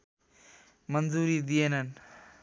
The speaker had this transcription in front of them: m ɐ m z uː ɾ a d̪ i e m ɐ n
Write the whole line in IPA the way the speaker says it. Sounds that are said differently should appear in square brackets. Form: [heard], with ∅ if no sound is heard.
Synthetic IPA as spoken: m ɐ [n] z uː ɾ [i] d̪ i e [n] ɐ n